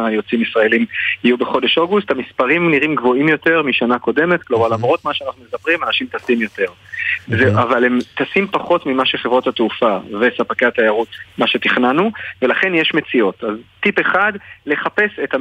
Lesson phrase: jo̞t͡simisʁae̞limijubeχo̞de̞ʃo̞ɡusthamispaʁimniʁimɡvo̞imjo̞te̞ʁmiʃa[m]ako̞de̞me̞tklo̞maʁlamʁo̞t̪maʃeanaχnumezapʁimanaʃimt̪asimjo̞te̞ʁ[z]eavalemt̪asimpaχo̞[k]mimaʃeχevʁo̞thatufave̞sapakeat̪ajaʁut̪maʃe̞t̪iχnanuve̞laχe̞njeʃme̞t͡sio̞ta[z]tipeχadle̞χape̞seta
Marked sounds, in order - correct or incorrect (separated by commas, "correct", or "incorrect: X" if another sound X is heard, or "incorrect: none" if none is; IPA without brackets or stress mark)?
incorrect: n, correct, incorrect: t, correct